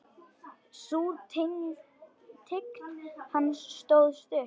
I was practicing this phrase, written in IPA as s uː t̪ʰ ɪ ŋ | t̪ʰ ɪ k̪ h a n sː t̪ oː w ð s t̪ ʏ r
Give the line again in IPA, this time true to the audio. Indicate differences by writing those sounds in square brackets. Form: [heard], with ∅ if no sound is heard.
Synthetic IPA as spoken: s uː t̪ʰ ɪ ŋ | t̪ʰ ɪ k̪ h a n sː t̪ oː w ð s t̪ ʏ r